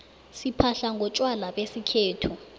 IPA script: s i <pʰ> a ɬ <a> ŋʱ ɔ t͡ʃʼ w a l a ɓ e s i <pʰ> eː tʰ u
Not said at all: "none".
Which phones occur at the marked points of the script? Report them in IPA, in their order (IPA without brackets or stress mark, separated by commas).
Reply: pʰ, a, kʰ